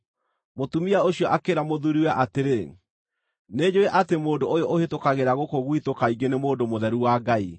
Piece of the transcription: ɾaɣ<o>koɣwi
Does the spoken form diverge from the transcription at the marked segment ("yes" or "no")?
no